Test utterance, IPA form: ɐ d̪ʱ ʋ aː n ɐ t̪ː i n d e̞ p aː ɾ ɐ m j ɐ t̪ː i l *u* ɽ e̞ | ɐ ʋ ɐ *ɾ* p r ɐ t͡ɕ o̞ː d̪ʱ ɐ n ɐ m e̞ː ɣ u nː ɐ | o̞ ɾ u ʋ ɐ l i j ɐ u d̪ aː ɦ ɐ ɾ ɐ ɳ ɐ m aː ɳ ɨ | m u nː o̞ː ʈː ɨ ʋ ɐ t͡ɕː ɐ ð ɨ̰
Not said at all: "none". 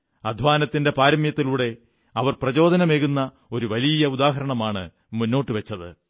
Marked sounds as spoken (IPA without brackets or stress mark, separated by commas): uː, r